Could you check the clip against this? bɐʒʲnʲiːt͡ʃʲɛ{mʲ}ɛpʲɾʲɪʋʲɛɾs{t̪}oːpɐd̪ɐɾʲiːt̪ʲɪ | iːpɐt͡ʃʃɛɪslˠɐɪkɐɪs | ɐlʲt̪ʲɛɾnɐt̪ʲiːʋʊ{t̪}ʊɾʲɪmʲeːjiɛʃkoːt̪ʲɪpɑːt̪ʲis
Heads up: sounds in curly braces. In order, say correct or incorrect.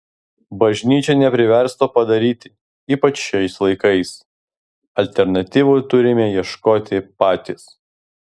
incorrect: nʲ, correct, correct

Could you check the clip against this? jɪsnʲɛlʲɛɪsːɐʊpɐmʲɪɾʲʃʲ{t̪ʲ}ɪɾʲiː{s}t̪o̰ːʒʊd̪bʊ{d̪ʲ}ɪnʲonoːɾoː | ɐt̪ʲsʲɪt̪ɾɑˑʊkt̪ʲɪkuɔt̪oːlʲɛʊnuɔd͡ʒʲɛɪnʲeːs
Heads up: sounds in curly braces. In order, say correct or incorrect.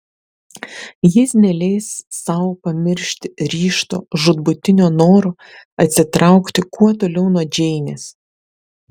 correct, incorrect: ʃ, incorrect: t̪ʲ

